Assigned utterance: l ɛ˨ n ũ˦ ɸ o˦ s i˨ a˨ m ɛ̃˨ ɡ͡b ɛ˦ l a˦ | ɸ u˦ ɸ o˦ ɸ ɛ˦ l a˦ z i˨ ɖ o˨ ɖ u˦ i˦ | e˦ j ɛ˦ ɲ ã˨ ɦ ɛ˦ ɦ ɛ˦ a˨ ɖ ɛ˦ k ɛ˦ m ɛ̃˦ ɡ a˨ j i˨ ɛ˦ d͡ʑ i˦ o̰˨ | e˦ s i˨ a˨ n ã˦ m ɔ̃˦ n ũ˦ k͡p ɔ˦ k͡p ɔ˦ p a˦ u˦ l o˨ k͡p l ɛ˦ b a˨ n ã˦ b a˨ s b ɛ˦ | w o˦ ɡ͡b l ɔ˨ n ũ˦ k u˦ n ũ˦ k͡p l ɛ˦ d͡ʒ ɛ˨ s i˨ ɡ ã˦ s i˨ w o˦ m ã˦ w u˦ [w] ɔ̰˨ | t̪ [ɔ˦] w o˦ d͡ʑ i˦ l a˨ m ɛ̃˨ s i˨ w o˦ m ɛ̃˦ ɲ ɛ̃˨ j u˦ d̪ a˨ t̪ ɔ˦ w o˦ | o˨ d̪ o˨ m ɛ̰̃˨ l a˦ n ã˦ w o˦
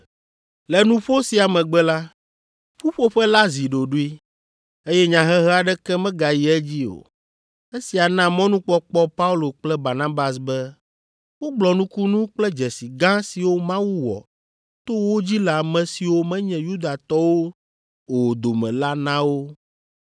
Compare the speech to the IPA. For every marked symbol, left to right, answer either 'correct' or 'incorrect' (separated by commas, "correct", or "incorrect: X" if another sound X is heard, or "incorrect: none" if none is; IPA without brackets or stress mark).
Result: correct, incorrect: o˦